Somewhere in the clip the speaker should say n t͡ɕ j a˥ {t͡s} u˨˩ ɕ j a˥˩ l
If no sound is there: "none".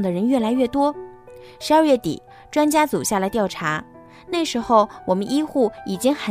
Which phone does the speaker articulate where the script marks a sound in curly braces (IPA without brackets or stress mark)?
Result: t͡s